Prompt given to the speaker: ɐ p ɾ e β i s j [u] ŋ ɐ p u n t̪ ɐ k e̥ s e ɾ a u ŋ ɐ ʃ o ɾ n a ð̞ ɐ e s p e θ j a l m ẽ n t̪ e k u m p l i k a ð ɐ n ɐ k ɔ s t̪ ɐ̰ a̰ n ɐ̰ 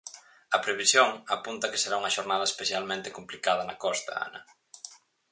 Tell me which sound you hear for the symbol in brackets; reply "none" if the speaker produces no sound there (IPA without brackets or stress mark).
o